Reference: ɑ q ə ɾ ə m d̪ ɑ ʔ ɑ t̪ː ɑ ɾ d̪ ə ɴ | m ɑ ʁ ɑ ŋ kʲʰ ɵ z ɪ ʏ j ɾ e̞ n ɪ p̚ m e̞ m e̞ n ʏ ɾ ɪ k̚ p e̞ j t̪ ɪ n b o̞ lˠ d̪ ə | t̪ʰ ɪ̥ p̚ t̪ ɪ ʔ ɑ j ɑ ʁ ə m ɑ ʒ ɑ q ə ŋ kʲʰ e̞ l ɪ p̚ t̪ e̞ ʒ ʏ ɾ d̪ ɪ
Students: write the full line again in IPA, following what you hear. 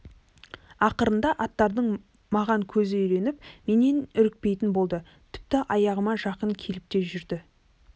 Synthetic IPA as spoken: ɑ q ə ɾ ə n d̪ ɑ ʔ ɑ t̪ː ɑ ɾ d̪ ə ɴ | m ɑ ʁ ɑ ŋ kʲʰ ɵ z ɪ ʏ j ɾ e̞ n ɪ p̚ m e̞ n e̞ n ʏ ɾ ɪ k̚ p e̞ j t̪ ɪ n b o̞ lˠ d̪ ə | t̪ʰ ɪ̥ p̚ t̪ ɪ ʔ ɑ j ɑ ʁ ə m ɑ ʒ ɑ q ə ŋ kʲʰ e̞ l ɪ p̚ t̪ e̞ ʒ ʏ ɾ d̪ ɪ